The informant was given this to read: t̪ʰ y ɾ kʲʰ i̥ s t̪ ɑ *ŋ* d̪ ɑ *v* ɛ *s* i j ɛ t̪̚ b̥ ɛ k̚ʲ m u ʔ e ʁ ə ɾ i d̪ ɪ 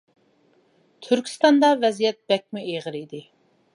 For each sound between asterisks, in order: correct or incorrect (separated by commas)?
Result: incorrect, correct, incorrect